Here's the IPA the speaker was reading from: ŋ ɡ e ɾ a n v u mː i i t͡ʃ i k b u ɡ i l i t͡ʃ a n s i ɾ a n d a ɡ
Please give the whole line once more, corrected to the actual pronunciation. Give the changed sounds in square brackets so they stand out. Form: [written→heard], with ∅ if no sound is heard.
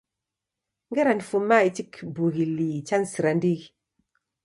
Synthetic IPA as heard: ŋ ɡ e ɾ a n [v→f] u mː [i→a] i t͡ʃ i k b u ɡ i l i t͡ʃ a n s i ɾ a n d [a→i] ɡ